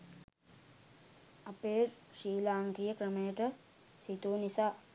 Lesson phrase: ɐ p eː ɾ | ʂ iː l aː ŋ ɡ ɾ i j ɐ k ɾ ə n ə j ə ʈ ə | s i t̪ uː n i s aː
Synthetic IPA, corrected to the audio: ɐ p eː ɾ | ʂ iː l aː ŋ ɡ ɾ i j ə k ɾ ə m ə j ə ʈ ə | s i t̪ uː n i s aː